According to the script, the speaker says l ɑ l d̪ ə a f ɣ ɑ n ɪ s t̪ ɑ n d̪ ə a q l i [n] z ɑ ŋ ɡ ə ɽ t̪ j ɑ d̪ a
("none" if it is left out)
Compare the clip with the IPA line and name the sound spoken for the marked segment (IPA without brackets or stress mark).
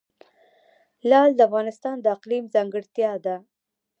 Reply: m